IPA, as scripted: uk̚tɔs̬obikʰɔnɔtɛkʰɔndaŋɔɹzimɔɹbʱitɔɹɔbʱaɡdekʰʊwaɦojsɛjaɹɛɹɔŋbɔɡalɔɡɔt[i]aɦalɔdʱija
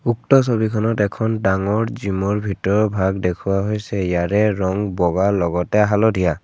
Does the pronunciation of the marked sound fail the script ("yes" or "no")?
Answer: yes